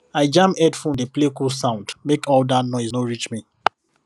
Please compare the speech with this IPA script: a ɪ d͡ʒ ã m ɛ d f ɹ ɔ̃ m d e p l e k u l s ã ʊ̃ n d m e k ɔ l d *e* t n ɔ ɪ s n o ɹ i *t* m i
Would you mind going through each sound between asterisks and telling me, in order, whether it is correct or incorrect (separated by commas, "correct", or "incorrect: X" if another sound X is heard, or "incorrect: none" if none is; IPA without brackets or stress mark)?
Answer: incorrect: a, incorrect: t͡ʃ